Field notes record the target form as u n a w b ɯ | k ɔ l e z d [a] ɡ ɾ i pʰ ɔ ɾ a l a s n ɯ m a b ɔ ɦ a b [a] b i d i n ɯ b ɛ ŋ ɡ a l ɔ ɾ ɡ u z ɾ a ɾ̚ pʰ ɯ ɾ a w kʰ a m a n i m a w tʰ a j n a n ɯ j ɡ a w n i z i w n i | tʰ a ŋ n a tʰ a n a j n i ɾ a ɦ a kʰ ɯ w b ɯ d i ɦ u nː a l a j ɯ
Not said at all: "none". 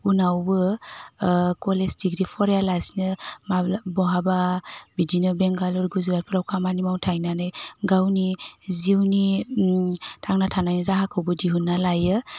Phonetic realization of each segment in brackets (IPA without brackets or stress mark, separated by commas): i, a